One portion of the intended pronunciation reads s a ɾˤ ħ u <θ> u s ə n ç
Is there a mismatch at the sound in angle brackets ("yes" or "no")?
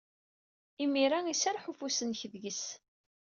yes